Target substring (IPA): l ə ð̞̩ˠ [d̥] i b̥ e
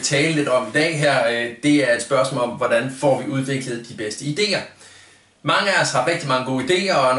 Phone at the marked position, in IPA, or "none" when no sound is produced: d̥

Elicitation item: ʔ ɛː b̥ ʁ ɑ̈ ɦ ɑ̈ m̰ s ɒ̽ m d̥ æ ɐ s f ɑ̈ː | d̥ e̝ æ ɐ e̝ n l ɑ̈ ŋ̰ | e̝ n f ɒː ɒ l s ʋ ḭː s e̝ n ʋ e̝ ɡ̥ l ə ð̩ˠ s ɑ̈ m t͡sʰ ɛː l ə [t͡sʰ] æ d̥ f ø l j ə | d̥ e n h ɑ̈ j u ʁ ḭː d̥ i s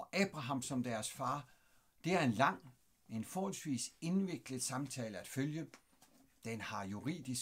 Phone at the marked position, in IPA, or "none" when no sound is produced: none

